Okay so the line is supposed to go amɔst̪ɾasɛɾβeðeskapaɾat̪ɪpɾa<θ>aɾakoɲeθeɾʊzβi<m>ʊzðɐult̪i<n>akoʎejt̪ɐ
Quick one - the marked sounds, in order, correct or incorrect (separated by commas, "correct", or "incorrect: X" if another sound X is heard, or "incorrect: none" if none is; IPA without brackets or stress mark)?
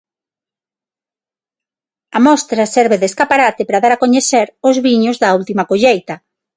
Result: incorrect: ð, incorrect: ɲ, incorrect: m